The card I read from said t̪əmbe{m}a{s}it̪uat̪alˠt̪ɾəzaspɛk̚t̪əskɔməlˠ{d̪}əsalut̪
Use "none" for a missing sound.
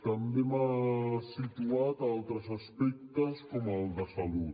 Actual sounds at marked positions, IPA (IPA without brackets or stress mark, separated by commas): m, s, d̪